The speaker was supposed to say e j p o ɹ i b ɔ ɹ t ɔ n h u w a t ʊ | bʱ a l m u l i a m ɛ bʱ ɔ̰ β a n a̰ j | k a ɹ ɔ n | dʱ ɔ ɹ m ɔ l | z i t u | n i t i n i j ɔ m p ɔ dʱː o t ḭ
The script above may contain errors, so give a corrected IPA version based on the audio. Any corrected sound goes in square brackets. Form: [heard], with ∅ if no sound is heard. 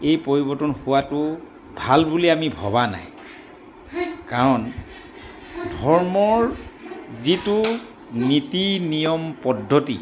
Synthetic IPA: e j p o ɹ i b ɔ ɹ t ɔ n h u w a t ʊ | bʱ a l [b] u l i a m [i] bʱ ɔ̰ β a n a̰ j | k a ɹ ɔ n | dʱ ɔ ɹ m ɔ [ɹ] | z i t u | n i t i n i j ɔ m p ɔ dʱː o t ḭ